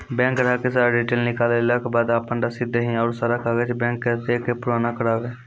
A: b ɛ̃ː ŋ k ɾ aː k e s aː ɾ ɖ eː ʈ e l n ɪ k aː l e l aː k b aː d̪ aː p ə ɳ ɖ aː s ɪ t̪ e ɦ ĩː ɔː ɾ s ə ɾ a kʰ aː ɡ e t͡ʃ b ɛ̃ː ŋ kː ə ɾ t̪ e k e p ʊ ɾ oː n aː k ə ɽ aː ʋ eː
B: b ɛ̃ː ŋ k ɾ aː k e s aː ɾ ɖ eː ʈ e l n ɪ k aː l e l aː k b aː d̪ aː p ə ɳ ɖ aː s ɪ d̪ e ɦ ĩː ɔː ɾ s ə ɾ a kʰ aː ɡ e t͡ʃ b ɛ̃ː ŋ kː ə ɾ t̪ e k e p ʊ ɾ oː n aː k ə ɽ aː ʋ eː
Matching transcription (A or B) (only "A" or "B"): B